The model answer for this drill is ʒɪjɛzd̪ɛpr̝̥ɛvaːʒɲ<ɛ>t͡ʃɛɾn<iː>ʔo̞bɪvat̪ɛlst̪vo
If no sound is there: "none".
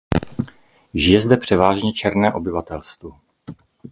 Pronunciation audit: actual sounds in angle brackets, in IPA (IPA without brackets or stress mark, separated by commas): ɛ, ɛː